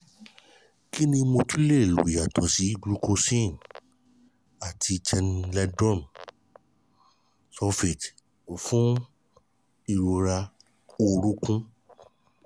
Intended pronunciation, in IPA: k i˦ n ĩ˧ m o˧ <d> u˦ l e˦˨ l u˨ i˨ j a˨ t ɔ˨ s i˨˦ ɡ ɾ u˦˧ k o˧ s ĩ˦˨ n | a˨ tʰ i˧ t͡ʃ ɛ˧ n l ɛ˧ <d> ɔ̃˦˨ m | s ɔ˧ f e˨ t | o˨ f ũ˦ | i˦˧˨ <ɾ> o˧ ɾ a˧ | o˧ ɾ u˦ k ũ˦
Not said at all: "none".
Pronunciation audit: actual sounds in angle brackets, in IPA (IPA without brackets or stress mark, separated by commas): t, d, ɾ